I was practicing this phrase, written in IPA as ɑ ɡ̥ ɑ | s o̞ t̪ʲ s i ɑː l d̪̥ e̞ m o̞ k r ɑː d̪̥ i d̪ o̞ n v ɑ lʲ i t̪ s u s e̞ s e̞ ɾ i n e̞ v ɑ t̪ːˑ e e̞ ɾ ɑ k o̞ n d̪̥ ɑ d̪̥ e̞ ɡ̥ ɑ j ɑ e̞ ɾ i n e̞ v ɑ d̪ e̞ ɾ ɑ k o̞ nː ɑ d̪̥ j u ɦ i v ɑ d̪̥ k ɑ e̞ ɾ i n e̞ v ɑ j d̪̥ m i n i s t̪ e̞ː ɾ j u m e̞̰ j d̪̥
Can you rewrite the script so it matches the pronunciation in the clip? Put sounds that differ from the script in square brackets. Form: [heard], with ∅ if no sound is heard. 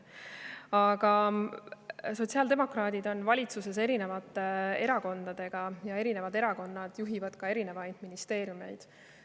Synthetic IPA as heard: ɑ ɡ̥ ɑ | s o̞ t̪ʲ s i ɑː l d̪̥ e̞ m o̞ k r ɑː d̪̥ i d̪ o̞ n v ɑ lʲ i t̪ s u s e̞ s e̞ ɾ i n e̞ v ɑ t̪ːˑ e e̞ ɾ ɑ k o̞ n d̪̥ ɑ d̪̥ e̞ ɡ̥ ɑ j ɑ e̞ ɾ i n e̞ v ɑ d̪ e̞ ɾ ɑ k o̞ nː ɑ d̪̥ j u ɦ i v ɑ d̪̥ k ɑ e̞ ɾ i n e̞ v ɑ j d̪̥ m i n i s t̪ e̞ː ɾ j u m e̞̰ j d̪̥